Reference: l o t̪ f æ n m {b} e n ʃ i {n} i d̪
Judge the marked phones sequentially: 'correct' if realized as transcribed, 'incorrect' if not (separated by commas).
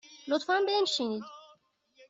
correct, correct